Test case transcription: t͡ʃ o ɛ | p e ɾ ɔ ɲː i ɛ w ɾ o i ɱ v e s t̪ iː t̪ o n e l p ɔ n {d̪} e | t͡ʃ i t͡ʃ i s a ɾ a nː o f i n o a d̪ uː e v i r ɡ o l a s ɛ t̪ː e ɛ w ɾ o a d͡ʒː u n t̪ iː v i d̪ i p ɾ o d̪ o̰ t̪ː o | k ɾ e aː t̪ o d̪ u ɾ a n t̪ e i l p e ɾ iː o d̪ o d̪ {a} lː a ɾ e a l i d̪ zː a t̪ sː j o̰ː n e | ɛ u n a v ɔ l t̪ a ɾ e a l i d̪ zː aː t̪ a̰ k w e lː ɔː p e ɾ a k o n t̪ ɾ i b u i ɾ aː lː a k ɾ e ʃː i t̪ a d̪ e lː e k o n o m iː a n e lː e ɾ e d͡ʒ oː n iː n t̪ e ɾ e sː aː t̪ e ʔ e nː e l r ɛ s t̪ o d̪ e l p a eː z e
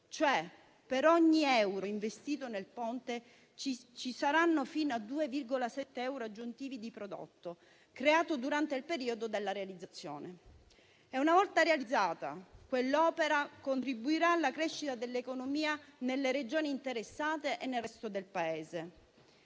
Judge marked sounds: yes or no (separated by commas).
no, no